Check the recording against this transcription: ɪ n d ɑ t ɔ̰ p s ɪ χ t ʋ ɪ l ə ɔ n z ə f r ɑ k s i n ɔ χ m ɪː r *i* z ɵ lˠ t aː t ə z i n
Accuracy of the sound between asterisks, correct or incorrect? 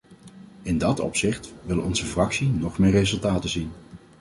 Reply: incorrect: e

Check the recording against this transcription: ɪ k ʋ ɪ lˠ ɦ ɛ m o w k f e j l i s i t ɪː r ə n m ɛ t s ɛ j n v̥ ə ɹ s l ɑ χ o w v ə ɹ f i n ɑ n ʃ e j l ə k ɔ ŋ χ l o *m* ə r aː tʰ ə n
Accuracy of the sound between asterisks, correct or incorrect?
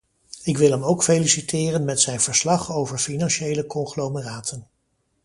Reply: correct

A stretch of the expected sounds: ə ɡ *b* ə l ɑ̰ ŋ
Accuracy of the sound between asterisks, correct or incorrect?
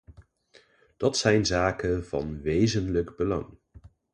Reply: correct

